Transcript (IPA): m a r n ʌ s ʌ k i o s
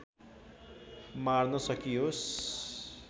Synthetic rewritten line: m a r n ʌ s ʌ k i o s